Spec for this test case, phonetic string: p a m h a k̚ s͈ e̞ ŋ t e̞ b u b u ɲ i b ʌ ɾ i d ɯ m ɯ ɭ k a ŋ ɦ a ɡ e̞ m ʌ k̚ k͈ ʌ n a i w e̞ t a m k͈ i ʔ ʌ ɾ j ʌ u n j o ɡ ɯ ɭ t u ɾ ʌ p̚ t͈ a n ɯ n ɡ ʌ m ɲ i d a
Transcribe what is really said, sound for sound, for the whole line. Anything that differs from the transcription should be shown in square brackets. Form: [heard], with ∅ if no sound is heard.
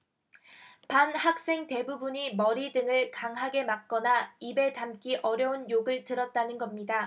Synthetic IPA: p a [n] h a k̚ s͈ e̞ ŋ t e̞ b u b u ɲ i [m] ʌ ɾ i d ɯ [ŋ] ɯ ɭ k a ŋ ɦ a ɡ e̞ m [a] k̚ k͈ ʌ n a i [b] e̞ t a m k͈ i ʔ ʌ ɾ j ʌ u n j o ɡ ɯ ɭ t [ɯ] ɾ ʌ [t̚] t͈ a n ɯ n ɡ ʌ m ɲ i d a